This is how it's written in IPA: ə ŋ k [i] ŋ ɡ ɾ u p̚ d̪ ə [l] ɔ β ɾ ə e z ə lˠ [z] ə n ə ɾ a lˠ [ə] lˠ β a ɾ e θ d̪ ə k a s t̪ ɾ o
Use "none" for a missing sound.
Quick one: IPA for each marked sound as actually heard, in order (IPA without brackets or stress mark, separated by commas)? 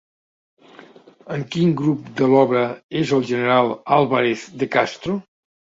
i, l, ʒ, a